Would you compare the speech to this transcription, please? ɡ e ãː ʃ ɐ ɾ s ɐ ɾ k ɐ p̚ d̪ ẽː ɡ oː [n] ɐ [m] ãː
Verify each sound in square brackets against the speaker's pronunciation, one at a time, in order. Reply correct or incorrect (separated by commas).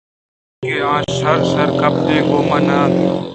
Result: incorrect, incorrect